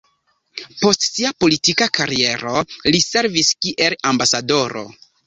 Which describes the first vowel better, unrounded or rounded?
rounded